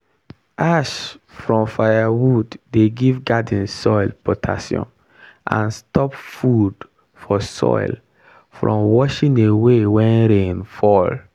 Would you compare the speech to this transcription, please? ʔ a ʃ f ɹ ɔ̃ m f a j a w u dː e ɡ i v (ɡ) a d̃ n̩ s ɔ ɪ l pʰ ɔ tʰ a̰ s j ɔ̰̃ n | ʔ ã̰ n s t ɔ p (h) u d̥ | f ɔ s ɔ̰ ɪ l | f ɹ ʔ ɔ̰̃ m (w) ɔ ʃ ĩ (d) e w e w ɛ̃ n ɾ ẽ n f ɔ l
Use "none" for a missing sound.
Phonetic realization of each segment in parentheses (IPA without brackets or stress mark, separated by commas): ɡ, f, w, n